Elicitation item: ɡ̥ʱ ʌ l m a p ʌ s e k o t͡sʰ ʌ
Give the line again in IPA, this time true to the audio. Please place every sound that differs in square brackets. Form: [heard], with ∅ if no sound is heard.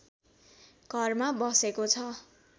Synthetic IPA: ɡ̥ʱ ʌ [r] m a [b] ʌ s e k o t͡sʰ ʌ